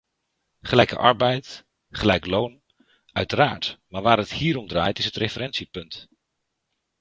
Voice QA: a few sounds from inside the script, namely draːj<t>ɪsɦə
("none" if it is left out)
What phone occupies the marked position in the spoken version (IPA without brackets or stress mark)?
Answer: t